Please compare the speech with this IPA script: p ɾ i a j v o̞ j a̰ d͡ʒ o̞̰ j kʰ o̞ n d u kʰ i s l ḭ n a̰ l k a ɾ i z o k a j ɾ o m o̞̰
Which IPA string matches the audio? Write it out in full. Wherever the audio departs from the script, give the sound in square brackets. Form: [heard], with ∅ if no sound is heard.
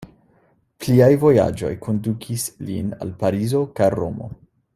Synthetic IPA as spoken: p [l] i a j v o̞ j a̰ d͡ʒ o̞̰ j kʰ o̞ n d u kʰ i s l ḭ n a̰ l [p] a ɾ i z o k a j ɾ o m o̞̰